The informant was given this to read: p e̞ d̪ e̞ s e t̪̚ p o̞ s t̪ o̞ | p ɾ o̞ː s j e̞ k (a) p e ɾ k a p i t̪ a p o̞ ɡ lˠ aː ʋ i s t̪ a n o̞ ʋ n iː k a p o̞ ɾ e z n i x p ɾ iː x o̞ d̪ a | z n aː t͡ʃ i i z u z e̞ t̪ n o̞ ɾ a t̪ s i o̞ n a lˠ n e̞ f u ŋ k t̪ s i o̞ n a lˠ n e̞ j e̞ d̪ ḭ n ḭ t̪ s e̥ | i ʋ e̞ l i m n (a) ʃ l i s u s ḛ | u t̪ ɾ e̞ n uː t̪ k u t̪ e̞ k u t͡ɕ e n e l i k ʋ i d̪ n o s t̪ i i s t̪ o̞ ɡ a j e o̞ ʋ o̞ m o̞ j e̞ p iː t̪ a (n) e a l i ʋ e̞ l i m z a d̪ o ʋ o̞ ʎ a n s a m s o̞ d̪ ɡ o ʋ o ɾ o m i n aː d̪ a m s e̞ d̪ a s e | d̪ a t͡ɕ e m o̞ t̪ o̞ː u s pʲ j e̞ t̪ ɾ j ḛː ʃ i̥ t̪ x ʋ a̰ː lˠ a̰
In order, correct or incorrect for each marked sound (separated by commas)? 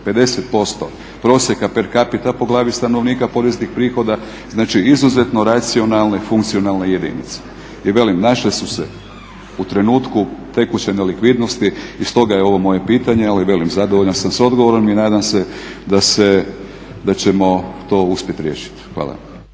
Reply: correct, correct, incorrect